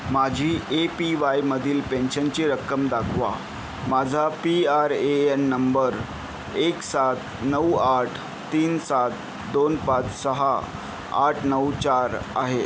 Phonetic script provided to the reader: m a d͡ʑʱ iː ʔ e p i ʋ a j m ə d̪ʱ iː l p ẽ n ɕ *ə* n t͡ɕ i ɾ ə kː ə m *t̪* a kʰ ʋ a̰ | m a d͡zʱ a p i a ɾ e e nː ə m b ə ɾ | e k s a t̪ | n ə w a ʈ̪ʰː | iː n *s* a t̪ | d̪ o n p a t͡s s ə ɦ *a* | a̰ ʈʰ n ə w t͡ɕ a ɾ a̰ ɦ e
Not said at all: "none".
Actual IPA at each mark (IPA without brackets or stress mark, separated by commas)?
ə, d̪, s, a